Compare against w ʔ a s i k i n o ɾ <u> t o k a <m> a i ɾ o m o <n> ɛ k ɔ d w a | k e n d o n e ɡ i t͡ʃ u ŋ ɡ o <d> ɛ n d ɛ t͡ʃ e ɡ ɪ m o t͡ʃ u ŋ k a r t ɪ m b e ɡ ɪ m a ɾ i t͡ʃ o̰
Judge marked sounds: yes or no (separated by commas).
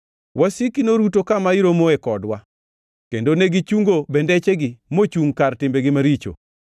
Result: yes, yes, no, no